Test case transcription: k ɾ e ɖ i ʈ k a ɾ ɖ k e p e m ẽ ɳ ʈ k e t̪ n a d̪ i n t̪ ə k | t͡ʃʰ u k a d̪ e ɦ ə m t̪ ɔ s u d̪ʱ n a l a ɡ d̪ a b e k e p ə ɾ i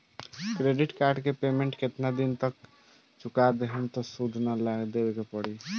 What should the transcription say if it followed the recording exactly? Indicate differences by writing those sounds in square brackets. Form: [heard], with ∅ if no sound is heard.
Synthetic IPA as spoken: k ɾ e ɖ i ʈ k a ɾ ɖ k e p e m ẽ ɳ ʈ k e t̪ n a d̪ i n t̪ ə k | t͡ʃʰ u k a d̪ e ɦ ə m t̪ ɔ s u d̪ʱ n a l a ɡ d̪ [e] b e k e p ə [ɽ] i